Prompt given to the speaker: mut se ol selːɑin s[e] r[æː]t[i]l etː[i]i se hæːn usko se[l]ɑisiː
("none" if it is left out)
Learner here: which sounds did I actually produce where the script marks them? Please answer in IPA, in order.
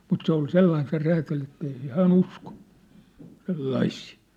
e, æː, æ, e, lː

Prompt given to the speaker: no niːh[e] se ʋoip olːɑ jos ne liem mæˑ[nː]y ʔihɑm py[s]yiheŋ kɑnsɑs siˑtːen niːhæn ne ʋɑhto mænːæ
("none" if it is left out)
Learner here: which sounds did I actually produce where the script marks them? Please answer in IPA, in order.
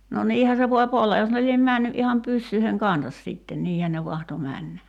æ, nː, sː

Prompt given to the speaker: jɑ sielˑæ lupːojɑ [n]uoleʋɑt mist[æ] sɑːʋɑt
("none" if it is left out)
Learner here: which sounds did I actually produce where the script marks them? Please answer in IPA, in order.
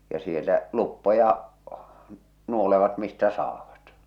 n, æ

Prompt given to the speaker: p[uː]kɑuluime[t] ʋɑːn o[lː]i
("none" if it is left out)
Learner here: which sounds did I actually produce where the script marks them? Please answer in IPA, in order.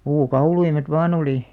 uː, t, l

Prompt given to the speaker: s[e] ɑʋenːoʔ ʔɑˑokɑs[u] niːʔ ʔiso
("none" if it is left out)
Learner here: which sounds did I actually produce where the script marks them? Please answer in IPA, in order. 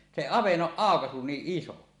e, u

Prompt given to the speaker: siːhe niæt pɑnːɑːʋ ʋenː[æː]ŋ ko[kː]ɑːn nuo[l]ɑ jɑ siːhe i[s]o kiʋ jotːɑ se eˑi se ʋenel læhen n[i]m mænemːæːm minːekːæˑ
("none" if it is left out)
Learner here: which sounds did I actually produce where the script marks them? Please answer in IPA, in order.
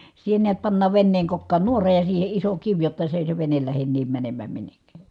eː, kː, r, s, iː

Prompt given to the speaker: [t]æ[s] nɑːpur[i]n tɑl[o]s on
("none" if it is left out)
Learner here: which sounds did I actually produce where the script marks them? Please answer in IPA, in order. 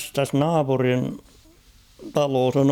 t, s, i, oː

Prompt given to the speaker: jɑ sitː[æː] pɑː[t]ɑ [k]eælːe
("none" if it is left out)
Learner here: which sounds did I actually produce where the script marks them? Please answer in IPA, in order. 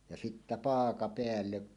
æ, k, p

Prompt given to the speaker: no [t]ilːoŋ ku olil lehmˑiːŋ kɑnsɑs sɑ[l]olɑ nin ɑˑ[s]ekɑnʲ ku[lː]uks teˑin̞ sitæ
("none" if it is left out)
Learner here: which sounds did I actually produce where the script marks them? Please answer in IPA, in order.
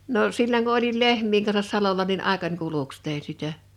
s, l, none, l

